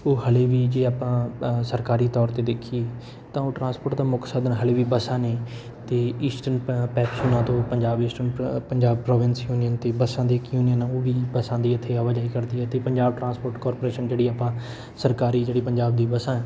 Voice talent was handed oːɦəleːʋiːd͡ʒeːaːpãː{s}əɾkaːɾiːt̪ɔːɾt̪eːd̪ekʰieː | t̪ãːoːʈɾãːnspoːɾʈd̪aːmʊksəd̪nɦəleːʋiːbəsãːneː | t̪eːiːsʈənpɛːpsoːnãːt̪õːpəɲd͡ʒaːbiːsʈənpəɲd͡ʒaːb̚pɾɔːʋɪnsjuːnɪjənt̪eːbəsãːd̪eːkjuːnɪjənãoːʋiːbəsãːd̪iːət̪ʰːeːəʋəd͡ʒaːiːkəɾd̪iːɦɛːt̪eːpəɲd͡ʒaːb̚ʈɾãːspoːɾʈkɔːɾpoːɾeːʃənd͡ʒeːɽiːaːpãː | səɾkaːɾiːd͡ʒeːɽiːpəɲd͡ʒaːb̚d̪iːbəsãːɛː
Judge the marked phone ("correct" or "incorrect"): correct